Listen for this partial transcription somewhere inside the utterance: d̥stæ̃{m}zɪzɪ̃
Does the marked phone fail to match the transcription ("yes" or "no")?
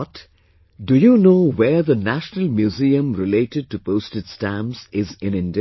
no